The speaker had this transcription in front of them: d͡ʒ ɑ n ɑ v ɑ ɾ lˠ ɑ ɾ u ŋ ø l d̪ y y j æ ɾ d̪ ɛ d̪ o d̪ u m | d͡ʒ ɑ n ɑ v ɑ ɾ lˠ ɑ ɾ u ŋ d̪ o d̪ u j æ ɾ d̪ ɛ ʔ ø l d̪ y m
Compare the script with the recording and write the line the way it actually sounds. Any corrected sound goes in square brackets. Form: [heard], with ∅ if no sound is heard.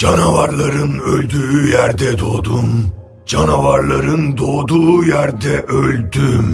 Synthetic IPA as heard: d͡ʒ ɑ n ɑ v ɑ ɾ lˠ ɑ ɾ [ɯ] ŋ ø l d̪ y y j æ ɾ d̪ ɛ d̪ o d̪ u m | d͡ʒ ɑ n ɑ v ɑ ɾ lˠ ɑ ɾ [ɯ] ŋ d̪ o d̪ u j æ ɾ d̪ ɛ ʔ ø l d̪ y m

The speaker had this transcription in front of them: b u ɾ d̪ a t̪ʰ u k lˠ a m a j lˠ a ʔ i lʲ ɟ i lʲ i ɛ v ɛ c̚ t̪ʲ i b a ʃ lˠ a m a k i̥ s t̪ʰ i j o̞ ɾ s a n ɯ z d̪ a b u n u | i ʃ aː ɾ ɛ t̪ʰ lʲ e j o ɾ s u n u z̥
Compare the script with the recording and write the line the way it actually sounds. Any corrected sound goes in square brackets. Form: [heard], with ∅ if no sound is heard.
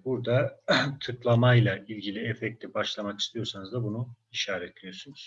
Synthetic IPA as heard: b u ɾ d̪ a t̪ʰ [ɯ] k lˠ a m a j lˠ a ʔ i lʲ ɟ i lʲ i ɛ [f] ɛ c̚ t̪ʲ i b a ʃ lˠ a m a k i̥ s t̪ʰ i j o̞ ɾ s a n ɯ z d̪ a b u n u | i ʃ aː ɾ ɛ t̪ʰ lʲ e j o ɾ s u n u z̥

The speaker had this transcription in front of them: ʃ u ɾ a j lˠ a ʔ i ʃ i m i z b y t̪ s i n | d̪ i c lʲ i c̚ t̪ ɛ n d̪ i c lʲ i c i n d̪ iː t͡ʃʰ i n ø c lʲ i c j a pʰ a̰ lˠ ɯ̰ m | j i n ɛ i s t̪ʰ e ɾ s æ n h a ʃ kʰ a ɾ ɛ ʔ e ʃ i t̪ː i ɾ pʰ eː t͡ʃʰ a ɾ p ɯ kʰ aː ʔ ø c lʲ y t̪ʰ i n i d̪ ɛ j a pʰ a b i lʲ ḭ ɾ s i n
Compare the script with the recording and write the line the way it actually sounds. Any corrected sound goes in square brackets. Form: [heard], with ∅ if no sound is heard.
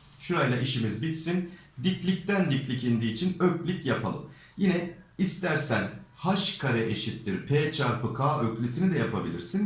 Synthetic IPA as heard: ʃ u ɾ a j lˠ a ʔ i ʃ i m i z b [i] t̪ s i n | d̪ i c lʲ i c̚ t̪ [æ] n d̪ i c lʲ i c i n d̪ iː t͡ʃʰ i n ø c lʲ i c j a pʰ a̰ lˠ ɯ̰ m | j i n ɛ i s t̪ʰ [æ] ɾ s æ n h a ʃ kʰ a ɾ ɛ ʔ e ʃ i t̪ː i ɾ pʰ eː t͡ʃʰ a ɾ p ɯ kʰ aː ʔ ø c lʲ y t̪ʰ i n i d̪ ɛ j a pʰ a b i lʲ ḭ ɾ s i n

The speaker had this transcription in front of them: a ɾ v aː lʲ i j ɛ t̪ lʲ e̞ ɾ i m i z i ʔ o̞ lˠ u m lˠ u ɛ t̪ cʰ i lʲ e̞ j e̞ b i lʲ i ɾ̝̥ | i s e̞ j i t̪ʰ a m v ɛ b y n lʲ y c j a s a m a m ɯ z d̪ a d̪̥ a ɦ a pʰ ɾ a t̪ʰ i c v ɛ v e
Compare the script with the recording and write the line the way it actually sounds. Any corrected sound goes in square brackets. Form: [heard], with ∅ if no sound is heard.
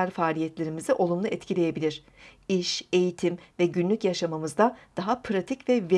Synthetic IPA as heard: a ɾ [f] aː lʲ i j ɛ t̪ lʲ e̞ ɾ i m i z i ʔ o̞ lˠ u m lˠ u ɛ t̪ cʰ i lʲ e̞ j e̞ b i lʲ i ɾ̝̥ | i [ʃ] e̞ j i t̪ʰ [i] m v ɛ [ɟ] y n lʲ y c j a [ʃ] a m a m ɯ z d̪ a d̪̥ a ɦ a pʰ ɾ a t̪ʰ i c v ɛ v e

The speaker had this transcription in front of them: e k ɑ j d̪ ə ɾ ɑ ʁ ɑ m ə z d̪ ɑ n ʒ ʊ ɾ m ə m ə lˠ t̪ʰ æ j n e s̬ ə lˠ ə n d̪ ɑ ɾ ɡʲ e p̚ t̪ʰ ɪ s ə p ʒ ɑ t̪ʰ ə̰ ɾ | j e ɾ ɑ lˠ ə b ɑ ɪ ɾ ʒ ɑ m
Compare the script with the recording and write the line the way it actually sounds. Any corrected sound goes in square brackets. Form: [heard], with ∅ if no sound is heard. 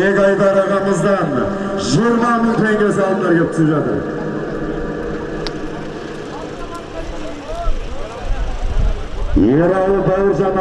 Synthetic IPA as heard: e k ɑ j d̪ [ɑ] ɾ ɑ ʁ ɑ m ə z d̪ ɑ n ʒ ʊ ɾ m [ɑ] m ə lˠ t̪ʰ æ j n e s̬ [ɑ] lˠ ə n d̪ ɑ ɾ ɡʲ e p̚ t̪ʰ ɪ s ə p ʒ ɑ [t̪] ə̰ ɾ | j e ɾ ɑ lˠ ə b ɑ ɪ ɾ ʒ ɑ m

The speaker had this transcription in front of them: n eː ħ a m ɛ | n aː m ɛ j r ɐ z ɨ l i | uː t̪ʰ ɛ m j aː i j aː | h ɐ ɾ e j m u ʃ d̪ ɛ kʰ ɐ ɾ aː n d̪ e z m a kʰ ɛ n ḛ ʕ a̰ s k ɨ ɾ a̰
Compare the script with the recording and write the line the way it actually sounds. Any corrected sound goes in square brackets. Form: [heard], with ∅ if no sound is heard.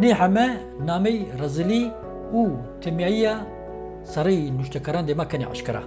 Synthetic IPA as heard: n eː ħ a m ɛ | n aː m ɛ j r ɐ z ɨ l i | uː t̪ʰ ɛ m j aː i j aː | [s] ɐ ɾ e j [n] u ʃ [t̪] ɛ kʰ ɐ ɾ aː n d̪ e [∅] m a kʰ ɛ n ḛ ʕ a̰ [ʃ] k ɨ ɾ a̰

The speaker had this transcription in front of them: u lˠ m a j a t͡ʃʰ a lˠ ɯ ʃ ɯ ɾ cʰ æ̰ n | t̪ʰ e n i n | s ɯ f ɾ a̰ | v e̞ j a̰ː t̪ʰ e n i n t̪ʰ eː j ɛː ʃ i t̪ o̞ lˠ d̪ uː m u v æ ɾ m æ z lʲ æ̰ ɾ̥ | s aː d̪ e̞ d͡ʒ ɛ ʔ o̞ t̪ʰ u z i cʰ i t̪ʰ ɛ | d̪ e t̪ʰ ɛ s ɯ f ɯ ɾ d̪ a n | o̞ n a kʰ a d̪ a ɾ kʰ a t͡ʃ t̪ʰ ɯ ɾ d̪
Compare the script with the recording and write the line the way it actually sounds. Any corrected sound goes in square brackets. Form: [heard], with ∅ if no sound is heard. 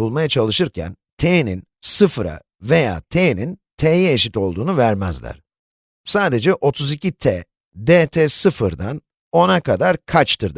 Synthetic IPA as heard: u lˠ m a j a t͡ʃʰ a lˠ ɯ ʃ ɯ ɾ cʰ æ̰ n | t̪ʰ e n i n | s ɯ f ɾ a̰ | v e̞ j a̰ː t̪ʰ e n i n t̪ʰ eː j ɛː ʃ i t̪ o̞ lˠ d̪ uː [n] u v æ ɾ m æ z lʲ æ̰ ɾ̥ | s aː d̪ e̞ d͡ʒ ɛ ʔ o̞ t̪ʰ u z i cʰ i t̪ʰ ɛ | d̪ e t̪ʰ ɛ s ɯ f ɯ ɾ d̪ a n | o̞ n a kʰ a d̪ a ɾ kʰ a t͡ʃ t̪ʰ ɯ ɾ d̪

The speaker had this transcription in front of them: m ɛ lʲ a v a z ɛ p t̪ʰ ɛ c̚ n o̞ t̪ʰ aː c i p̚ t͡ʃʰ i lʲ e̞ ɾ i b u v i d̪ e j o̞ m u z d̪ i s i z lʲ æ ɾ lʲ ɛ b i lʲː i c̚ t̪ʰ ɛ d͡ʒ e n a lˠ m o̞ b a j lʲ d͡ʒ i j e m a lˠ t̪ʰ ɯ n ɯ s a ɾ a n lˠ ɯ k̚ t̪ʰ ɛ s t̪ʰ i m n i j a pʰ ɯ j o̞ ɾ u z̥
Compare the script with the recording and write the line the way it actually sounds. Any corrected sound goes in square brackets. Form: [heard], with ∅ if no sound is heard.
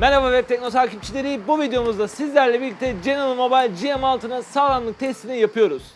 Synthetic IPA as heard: m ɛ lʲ a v a [v] ɛ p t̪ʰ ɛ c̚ n o̞ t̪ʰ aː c i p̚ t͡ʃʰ i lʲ e̞ ɾ i b u v i d̪ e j o̞ m u z d̪ [a] s i z lʲ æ ɾ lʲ ɛ b i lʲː i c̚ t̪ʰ ɛ d͡ʒ e n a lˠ m o̞ b a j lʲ d͡ʒ i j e m a lˠ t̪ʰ ɯ n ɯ s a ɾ a n lˠ ɯ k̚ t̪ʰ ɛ s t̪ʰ i [∅] n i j a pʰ ɯ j o̞ ɾ u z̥

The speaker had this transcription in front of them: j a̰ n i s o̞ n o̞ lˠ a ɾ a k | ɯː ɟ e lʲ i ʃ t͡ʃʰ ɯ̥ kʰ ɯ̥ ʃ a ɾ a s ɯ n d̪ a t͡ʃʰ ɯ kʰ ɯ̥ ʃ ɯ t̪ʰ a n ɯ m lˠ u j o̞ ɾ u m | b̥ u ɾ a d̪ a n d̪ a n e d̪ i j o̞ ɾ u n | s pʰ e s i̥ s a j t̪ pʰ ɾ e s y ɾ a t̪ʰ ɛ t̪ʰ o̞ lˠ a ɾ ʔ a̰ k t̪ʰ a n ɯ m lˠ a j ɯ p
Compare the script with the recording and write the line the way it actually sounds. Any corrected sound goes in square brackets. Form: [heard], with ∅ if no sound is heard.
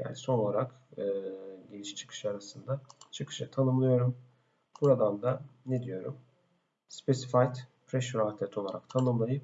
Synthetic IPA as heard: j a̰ n i s o̞ n o̞ lˠ a ɾ a k | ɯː ɟ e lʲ i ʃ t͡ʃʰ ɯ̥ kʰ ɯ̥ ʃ a ɾ a s ɯ n d̪ a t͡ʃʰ ɯ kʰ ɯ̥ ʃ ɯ t̪ʰ a n ɯ m lˠ [ɯ] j o̞ ɾ u m | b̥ u ɾ a d̪ a n d̪ a n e d̪ i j o̞ ɾ u [m] | s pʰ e s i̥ [f] a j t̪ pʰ ɾ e [ʃ] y ɾ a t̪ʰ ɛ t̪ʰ o̞ lˠ a ɾ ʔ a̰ k t̪ʰ a n ɯ m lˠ a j ɯ p

